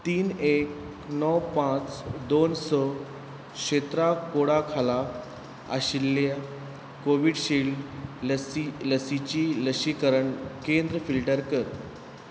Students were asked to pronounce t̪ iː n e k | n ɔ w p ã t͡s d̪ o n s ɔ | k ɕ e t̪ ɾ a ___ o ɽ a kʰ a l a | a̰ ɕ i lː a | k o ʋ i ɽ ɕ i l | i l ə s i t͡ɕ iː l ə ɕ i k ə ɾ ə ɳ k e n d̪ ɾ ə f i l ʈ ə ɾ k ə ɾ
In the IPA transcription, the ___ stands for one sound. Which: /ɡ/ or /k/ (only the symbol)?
k